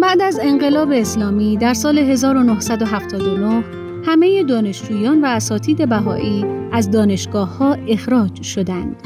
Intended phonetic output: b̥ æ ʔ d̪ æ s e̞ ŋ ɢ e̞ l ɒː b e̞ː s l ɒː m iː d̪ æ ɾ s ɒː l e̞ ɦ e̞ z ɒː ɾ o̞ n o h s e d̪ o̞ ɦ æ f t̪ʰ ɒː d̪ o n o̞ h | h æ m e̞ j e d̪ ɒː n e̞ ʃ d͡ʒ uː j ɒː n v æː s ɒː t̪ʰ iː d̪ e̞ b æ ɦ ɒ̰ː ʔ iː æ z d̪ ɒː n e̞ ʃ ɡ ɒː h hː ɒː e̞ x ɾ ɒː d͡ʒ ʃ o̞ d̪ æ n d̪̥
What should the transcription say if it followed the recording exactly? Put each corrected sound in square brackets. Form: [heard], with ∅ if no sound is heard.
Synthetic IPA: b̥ æ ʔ d̪ æ [z] e̞ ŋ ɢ e̞ l ɒː b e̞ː s l ɒː m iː d̪ æ ɾ s ɒː l e̞ ɦ e̞ z ɒː ɾ o̞ n o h s [æ] d̪ o̞ ɦ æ f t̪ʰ ɒː d̪ o n o̞ h | h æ m e̞ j e d̪ ɒː n e̞ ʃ d͡ʒ uː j ɒː n v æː s ɒː t̪ʰ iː d̪ e̞ b æ ɦ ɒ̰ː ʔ iː æ z d̪ ɒː n e̞ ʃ ɡ ɒː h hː ɒː e̞ x ɾ ɒː d͡ʒ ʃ o̞ d̪ æ n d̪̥